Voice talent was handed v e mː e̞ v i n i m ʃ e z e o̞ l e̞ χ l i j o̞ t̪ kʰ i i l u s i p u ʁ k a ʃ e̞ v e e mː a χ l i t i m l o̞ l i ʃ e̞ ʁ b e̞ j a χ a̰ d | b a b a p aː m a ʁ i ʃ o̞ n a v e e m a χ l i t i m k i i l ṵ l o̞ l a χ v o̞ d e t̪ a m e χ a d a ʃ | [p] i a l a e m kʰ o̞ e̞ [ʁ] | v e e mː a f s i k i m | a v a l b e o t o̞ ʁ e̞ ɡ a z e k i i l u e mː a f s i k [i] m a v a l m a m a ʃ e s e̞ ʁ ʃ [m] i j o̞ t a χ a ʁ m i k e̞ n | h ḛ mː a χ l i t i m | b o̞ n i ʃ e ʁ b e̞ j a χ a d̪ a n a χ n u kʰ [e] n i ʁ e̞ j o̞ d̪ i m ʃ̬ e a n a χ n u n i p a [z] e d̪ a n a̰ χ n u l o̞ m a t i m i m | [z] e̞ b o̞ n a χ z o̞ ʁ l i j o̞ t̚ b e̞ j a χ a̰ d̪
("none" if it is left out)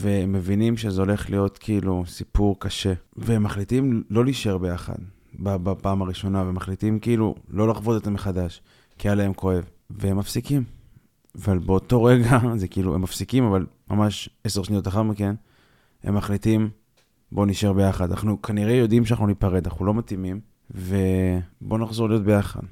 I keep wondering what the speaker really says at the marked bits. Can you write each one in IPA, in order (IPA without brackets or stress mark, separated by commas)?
k, v, i, n, a, ʁ, v